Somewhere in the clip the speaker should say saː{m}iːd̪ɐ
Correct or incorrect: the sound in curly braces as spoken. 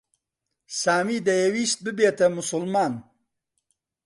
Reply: correct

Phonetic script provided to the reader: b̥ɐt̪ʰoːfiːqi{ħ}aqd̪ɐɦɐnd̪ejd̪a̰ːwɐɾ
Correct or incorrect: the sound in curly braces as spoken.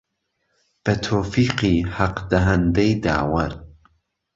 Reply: incorrect: h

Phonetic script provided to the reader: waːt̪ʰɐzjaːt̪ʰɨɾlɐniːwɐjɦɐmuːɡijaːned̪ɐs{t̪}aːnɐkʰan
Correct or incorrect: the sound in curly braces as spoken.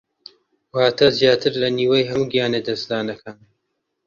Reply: incorrect: d̪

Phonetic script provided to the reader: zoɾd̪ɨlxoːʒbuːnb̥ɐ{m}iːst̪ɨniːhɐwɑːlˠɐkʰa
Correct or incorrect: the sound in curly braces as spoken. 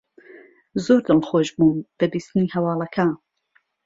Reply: incorrect: b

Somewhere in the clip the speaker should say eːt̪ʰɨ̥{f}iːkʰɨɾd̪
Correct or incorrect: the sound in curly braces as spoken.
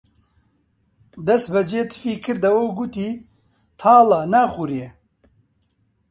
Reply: correct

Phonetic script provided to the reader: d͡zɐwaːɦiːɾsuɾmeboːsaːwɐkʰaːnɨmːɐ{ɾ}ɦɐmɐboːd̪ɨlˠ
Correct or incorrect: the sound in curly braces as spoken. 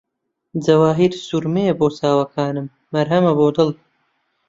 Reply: correct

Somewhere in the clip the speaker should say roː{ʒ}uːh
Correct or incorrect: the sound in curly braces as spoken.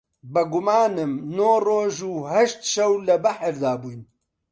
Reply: correct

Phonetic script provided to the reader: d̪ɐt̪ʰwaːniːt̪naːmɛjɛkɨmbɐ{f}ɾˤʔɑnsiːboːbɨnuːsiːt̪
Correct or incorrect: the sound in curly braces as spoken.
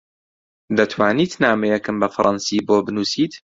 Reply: correct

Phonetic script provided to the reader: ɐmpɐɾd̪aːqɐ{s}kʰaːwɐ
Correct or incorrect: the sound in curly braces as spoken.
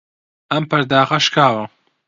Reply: incorrect: ʃ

